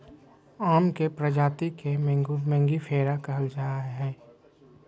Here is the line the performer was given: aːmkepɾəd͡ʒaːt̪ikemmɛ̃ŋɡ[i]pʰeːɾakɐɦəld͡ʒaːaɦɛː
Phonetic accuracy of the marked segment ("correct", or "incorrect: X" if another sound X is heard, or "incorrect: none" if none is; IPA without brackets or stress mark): correct